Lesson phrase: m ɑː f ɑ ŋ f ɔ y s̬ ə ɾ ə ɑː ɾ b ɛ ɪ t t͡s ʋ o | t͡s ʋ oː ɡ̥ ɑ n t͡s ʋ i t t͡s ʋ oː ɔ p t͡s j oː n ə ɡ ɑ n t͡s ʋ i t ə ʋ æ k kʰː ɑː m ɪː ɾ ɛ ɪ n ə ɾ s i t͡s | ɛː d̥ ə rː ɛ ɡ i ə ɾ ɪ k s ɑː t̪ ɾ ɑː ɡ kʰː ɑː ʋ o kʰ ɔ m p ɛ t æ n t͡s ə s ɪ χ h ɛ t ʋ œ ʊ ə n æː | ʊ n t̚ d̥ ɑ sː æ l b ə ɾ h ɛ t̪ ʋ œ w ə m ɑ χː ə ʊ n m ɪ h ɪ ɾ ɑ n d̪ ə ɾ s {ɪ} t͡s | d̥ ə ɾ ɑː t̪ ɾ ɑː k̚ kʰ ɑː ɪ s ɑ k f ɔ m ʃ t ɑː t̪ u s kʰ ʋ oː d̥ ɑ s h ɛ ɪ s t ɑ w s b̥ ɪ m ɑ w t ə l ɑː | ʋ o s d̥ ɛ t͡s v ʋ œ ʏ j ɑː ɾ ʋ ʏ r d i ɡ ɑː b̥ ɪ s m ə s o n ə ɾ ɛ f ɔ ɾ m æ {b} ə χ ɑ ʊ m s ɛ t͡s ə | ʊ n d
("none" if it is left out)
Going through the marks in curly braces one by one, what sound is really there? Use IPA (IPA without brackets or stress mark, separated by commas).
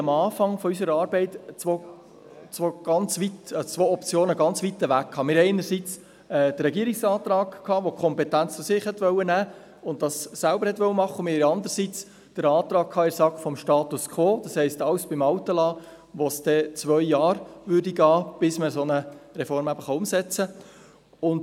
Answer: i, b